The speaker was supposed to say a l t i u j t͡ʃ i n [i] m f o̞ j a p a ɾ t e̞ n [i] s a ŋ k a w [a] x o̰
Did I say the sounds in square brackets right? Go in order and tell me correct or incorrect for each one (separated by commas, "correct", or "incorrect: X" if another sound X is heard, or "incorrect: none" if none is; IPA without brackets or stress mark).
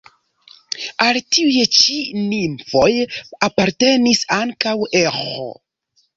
correct, correct, incorrect: e